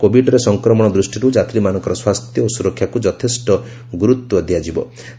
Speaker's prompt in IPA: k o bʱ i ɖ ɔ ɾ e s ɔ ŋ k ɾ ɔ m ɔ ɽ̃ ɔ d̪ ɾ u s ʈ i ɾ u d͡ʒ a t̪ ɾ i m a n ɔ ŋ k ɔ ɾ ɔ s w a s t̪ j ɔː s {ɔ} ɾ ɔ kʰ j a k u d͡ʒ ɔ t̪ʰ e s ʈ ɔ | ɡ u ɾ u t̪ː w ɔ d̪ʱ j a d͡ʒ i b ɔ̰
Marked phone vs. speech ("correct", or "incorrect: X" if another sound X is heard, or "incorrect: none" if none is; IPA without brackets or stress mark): incorrect: u